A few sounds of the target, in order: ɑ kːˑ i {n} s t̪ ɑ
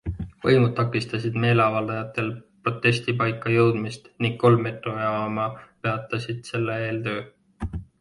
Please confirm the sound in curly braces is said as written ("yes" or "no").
no